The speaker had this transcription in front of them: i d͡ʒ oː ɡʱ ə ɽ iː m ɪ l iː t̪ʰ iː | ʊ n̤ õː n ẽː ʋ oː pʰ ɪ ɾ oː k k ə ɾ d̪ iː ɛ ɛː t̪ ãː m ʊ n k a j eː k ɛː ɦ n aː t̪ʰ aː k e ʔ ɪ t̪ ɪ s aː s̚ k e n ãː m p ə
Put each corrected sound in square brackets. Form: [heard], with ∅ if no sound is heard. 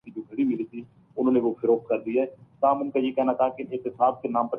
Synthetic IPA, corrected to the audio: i d͡ʒ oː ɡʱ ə ɽ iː m ɪ l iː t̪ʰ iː | ʊ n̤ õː n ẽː ʋ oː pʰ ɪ ɾ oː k k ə ɾ d̪ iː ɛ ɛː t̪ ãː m ʊ n k a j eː k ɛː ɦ n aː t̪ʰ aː k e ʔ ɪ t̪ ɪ s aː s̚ k e n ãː m p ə